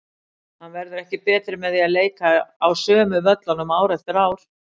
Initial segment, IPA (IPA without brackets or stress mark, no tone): h